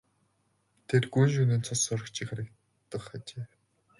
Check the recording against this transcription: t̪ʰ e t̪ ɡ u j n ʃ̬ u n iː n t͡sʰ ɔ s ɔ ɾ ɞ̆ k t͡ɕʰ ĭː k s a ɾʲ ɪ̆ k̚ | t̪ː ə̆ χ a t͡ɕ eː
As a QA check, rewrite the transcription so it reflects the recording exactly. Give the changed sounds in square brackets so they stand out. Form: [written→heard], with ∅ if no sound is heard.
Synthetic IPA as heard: t̪ʰ e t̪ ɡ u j n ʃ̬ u n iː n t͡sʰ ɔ s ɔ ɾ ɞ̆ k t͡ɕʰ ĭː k [s→χ] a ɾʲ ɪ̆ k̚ | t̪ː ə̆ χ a t͡ɕ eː